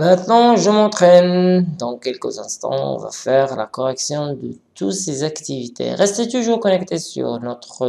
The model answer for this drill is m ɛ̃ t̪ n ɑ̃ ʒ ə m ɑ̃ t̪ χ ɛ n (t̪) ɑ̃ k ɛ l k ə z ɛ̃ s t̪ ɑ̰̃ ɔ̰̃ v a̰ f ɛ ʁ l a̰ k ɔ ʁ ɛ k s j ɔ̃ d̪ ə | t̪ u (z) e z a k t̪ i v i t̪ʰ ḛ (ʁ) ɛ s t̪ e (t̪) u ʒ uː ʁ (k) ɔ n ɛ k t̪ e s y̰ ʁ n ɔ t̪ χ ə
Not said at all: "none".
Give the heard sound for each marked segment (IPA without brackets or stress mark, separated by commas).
d̪, s, ʁ, t̪, k